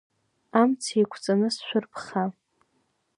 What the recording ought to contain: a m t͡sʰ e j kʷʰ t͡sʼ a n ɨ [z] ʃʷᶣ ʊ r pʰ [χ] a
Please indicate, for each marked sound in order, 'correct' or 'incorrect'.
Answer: incorrect, correct

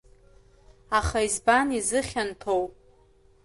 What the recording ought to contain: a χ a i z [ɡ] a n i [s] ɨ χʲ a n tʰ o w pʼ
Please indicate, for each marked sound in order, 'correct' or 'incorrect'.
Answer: incorrect, incorrect

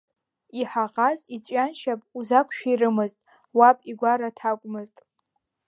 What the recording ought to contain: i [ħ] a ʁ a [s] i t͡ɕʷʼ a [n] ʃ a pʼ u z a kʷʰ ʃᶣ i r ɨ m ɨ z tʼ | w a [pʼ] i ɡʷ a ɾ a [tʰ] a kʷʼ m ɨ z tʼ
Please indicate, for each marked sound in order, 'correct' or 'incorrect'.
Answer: correct, incorrect, correct, correct, correct

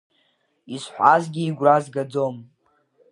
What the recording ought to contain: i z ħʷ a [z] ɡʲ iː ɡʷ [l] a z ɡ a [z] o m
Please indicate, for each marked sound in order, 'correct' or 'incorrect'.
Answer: correct, incorrect, incorrect

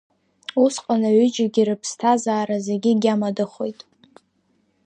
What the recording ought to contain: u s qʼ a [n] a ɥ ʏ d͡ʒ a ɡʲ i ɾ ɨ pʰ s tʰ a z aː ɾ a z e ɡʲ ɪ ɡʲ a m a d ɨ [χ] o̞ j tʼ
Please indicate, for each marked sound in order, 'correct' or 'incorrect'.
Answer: correct, correct

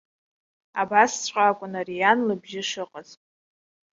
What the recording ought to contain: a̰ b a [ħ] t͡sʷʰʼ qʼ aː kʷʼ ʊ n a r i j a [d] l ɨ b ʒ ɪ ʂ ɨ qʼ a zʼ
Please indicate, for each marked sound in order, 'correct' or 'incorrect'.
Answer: incorrect, incorrect

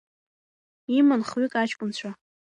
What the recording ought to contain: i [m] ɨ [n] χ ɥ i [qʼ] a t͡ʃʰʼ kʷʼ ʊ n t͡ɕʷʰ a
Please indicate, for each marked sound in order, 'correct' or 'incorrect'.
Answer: correct, correct, incorrect

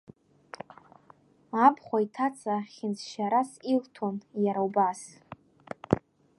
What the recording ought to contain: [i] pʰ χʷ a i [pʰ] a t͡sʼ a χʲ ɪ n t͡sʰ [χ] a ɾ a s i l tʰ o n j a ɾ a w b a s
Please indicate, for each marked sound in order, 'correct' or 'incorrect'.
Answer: incorrect, incorrect, incorrect

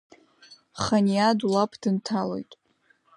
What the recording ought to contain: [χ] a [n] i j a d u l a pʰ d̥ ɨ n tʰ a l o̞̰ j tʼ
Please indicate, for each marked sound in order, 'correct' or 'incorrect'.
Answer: correct, correct

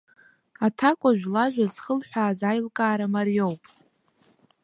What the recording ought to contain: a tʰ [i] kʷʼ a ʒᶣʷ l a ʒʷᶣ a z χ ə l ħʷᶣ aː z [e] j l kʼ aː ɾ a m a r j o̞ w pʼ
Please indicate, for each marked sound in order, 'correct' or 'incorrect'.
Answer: incorrect, incorrect

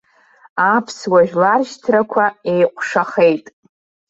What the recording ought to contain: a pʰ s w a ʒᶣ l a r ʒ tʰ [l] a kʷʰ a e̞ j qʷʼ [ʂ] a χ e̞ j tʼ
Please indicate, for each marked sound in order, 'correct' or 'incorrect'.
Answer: incorrect, correct

